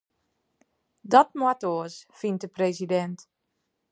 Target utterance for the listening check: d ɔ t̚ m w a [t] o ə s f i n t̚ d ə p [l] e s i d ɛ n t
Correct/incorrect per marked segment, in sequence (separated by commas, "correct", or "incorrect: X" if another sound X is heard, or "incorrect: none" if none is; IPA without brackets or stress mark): correct, incorrect: r